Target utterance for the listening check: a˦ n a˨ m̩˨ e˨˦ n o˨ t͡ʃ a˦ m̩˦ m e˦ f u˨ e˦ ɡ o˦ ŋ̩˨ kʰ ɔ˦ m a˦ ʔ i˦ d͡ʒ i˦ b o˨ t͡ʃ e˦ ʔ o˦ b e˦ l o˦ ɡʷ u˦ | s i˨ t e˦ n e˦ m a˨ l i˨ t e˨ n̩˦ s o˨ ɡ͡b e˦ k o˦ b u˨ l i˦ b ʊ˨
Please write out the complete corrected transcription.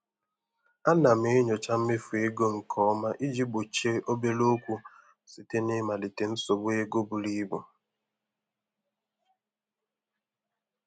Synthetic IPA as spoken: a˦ n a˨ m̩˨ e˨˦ ɲ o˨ t͡ʃ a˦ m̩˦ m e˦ f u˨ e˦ ɡ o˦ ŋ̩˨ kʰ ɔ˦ m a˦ ʔ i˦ d͡ʒ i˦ b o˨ t͡ʃ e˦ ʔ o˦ b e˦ l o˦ kʷ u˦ | s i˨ t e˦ n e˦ m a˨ l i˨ t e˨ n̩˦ s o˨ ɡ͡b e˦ ɡ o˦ b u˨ l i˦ b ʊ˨

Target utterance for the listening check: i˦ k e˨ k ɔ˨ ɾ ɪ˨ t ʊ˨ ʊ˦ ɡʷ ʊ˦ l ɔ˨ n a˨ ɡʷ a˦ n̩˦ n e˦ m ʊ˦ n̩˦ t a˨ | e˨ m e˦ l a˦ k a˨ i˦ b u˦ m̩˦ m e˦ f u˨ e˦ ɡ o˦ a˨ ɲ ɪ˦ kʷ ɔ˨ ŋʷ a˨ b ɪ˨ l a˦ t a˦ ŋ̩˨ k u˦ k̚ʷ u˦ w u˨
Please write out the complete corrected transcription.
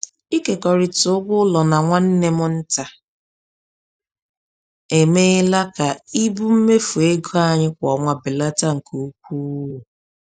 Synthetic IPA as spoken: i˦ k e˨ k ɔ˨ ɾ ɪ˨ t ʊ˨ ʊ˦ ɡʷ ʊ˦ l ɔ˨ n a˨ ŋʷ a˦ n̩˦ n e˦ m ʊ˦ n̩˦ t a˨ | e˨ m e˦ l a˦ k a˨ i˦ b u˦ m̩˦ m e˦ f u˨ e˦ ɡ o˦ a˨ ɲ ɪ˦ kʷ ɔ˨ ŋʷ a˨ b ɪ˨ l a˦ t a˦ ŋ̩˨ k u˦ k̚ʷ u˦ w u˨

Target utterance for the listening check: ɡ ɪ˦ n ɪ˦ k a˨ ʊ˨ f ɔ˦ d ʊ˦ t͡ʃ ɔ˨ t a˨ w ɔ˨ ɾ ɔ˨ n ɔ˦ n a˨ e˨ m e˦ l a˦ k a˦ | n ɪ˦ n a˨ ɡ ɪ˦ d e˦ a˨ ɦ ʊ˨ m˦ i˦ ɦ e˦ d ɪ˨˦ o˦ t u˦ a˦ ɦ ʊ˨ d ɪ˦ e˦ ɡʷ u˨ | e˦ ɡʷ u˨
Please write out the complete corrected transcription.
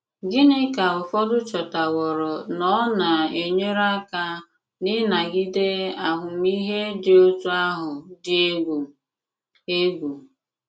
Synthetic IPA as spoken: ɡ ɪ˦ n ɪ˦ k a˨ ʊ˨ f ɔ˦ d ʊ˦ t͡ʃ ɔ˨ t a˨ w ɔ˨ ɾ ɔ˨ n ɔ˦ n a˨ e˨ ɲ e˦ ɾ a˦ k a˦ | n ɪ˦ n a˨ ɡ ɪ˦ d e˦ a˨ ɦ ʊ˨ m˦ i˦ ɦ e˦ d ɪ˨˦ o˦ t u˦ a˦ ɦ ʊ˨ d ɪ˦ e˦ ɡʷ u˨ | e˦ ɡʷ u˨

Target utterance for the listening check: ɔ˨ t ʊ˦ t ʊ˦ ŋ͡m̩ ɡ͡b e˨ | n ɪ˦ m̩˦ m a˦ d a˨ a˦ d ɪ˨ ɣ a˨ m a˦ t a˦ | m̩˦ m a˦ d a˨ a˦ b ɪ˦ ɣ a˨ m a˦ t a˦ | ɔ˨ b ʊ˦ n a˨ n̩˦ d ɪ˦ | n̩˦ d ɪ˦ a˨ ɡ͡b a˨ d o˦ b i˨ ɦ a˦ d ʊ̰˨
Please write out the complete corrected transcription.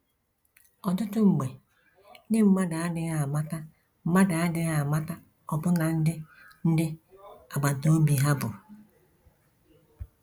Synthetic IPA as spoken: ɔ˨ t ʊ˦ t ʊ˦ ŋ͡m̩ ɡ͡b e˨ | n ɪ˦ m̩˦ m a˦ d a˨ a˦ d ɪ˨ ɣ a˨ m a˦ t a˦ | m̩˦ m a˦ d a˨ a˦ d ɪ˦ ɣ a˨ m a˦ t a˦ | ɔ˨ b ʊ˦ n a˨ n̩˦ d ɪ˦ | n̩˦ d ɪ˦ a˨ ɡ͡b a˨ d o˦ b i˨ ɦ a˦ b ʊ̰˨

